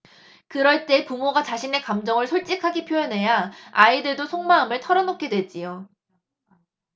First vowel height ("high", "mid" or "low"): high